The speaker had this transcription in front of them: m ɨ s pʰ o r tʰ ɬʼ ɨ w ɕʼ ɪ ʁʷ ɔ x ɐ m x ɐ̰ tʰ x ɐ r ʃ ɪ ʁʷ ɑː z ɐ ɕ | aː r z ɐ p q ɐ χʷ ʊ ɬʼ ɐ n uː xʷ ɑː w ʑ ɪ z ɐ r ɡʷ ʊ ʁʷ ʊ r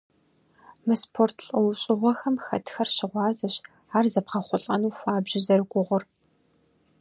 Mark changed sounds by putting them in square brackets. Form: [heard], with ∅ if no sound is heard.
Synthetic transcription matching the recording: m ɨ s pʰ o r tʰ ɬʼ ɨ w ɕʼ ɪ ʁʷ ɔ x ɐ m x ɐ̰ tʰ x ɐ r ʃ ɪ ʁʷ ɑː z ɐ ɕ | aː r z ɐ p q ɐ χʷ ʊ ɬʼ ɐ n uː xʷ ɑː [b] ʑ ɪ z ɐ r ɡʷ ʊ ʁʷ ʊ r